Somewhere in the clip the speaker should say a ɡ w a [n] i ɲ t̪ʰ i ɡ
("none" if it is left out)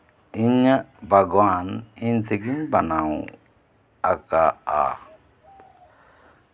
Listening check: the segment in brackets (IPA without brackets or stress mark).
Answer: n